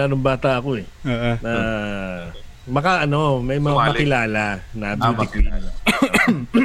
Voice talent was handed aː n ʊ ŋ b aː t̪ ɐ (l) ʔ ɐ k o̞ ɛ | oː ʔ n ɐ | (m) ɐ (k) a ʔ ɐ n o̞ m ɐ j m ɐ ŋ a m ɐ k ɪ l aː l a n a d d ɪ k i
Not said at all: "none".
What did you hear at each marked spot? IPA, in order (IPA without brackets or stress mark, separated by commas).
none, m, k